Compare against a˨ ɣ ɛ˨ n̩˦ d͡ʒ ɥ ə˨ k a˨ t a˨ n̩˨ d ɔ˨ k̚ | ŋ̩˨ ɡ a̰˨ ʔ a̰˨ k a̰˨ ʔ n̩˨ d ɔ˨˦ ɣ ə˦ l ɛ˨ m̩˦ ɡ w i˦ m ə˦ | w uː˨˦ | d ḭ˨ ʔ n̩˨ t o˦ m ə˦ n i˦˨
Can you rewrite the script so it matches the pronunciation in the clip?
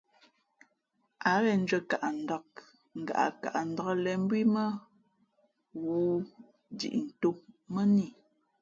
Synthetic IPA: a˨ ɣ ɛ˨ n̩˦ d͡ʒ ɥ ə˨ k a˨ ʔ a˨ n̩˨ d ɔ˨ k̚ | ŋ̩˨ ɡ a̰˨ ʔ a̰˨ k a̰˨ ʔ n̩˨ d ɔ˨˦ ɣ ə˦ l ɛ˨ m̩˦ b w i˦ m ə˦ | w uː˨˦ | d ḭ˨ ʔ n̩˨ t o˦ m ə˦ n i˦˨